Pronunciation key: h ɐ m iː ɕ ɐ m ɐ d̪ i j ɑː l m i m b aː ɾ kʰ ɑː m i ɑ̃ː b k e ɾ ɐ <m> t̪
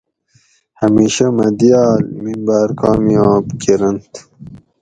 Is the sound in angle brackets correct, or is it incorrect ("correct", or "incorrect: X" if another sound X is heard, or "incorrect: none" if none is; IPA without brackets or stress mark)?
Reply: incorrect: n